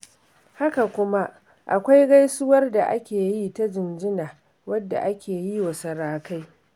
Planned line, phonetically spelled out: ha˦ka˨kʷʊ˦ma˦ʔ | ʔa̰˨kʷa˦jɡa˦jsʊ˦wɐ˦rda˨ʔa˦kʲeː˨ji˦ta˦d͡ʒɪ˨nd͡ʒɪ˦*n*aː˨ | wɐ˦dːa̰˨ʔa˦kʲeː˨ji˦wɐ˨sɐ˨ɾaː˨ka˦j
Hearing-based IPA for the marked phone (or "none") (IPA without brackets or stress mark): n